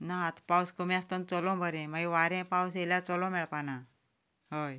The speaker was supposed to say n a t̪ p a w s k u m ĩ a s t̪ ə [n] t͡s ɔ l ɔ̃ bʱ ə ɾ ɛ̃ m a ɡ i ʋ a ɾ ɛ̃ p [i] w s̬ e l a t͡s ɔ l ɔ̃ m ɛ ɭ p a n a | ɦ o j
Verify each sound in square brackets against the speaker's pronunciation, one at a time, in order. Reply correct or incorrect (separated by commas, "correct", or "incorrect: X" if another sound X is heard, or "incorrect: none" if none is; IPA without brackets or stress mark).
correct, incorrect: a